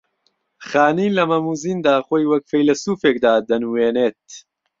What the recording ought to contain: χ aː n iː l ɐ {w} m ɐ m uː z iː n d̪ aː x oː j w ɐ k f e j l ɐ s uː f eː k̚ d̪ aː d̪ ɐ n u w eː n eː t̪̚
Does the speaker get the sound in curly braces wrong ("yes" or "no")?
yes